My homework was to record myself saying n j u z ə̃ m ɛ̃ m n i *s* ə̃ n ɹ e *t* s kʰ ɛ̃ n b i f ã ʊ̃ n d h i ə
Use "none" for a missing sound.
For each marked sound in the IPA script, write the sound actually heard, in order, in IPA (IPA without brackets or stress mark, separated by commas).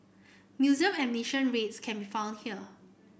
ʃ, t